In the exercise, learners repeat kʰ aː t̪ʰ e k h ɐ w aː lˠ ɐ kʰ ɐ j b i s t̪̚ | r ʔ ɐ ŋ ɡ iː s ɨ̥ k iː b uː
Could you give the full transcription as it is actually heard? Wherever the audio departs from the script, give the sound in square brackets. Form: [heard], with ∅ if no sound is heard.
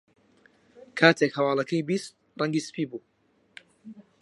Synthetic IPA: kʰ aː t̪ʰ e k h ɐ w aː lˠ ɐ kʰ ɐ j b i s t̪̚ | r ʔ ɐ ŋ ɡ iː s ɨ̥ [p] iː b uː

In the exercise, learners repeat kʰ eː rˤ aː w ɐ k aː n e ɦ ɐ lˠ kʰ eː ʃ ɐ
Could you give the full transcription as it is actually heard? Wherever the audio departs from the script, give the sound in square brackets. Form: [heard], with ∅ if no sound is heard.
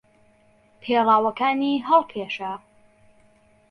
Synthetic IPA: [pʰ] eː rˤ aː w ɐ k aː n [i] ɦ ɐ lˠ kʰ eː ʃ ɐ

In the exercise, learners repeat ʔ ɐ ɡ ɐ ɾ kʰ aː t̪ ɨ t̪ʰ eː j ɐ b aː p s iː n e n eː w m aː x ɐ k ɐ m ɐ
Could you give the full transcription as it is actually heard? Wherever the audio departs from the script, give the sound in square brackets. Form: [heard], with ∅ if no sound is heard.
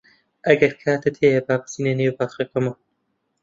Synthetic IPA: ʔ ɐ ɡ ɐ ɾ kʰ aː t̪ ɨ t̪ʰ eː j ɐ b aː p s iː n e n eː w [b] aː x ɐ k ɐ m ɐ

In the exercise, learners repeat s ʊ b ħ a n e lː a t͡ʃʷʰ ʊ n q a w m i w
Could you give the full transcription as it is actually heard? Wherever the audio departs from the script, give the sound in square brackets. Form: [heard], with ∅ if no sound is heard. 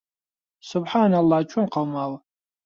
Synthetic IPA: s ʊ b ħ a n [a] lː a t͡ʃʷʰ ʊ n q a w m [a] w

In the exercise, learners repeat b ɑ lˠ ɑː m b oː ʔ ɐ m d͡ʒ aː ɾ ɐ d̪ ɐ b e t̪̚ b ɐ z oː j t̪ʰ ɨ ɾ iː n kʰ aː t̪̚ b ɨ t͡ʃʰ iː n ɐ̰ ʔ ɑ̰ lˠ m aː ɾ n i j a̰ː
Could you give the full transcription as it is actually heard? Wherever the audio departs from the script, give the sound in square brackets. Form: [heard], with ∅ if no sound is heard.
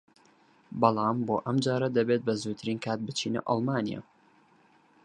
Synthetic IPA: b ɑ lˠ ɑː m b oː ʔ ɐ m d͡ʒ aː ɾ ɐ d̪ ɐ b e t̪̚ b ɐ z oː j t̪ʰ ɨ ɾ iː n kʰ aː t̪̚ b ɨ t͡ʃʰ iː n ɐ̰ ʔ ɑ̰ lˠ m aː [∅] n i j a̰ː

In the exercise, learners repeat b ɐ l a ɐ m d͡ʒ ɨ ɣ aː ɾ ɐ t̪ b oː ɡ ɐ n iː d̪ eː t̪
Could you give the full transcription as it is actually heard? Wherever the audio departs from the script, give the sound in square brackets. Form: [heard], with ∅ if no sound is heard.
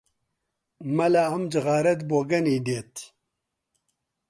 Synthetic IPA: [m] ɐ l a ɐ m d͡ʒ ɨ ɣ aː ɾ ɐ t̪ b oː ɡ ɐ n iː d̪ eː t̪

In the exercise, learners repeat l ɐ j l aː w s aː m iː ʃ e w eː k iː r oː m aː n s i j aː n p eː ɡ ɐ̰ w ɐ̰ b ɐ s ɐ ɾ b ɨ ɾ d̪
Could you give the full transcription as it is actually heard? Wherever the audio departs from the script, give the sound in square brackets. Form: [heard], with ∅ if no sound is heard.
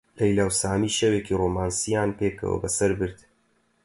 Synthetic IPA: l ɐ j l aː w s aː m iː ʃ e w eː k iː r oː m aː n s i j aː n p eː [k] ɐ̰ w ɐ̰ b ɐ s ɐ ɾ b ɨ ɾ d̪

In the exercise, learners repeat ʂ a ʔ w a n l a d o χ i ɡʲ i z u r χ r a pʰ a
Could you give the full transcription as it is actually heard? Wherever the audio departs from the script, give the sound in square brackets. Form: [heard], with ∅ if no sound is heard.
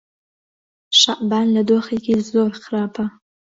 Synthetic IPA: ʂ a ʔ [b] a n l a d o χ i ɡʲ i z [o] r χ r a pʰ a

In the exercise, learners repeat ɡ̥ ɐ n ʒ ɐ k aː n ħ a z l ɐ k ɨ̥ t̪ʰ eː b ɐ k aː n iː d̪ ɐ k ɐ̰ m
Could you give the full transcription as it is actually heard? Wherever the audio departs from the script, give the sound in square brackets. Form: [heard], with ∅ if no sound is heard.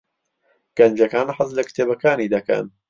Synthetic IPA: ɡ̥ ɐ n [d͡ʒ] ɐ k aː n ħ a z l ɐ k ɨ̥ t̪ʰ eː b ɐ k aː n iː d̪ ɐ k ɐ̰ [n]

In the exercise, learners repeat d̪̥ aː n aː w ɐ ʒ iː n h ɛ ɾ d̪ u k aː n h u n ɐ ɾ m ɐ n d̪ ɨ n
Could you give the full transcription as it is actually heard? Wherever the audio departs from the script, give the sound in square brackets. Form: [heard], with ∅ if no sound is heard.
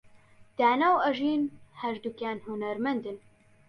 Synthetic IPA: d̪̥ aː n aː w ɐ ʒ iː n h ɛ ɾ d̪ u k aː n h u n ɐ ɾ m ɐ n d̪ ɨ n

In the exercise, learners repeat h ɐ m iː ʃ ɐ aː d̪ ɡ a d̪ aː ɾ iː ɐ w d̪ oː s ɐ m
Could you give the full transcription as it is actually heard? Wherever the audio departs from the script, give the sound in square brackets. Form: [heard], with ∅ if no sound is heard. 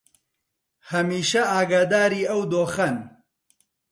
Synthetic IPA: h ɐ m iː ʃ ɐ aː [∅] ɡ a d̪ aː ɾ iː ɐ w d̪ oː [x] ɐ [n]

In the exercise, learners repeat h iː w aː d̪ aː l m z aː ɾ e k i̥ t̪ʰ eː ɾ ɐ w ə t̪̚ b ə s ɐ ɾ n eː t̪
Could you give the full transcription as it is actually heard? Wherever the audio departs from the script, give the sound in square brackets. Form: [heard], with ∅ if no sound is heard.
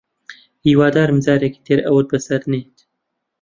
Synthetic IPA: h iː w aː d̪ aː [ɾ] m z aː ɾ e k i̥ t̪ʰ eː ɾ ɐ w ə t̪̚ b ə s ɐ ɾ n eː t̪

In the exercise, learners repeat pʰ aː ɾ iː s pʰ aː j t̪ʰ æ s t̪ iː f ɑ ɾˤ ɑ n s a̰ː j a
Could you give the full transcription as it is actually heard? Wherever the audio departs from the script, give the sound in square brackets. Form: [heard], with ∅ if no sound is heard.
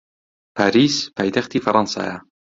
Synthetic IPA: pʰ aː ɾ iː s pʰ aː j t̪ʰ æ [x] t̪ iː f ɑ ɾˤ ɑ n s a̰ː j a

